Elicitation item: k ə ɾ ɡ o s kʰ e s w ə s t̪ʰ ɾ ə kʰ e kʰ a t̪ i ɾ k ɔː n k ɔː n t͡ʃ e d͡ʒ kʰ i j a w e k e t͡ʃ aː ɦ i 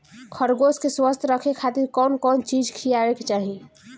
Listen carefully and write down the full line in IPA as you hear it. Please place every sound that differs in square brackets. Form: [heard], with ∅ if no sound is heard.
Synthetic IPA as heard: [kʰ] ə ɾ ɡ o s [k] e s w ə s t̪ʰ ɾ ə kʰ e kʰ a t̪ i ɾ k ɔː n k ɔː n t͡ʃ [i] d͡ʒ kʰ i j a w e k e t͡ʃ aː ɦ i